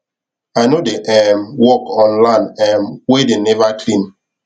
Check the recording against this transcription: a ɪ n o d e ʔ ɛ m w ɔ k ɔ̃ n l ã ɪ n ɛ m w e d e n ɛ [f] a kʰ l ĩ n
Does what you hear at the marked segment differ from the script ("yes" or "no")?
yes